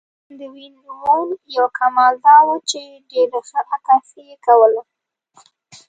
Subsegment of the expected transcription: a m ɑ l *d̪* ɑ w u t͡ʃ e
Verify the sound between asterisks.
correct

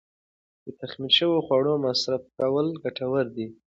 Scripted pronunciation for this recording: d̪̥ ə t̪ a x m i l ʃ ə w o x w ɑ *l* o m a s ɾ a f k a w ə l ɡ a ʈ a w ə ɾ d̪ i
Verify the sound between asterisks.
incorrect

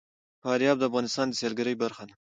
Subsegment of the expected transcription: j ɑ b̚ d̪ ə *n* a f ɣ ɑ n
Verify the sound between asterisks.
incorrect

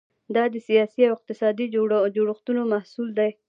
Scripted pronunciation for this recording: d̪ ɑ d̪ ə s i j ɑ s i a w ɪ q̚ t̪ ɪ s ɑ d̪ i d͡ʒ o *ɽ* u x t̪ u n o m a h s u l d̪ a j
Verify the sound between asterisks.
correct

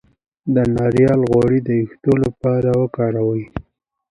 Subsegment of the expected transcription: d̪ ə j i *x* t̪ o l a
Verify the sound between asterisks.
correct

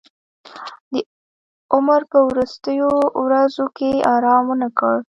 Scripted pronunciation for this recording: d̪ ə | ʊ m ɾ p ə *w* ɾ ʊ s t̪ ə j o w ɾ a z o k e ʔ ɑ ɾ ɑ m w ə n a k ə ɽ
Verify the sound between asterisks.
correct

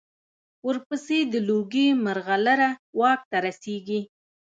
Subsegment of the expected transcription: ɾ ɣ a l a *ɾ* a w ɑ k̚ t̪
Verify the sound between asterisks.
correct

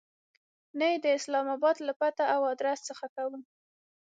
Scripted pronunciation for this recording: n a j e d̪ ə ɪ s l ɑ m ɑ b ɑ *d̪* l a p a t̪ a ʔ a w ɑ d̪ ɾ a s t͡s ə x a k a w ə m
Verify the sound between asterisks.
correct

